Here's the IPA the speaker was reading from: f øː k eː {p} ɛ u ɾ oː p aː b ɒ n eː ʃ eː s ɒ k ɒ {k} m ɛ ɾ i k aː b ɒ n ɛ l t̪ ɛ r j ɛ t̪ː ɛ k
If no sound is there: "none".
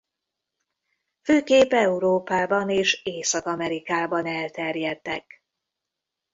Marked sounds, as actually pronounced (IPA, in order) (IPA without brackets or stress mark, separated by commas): p, none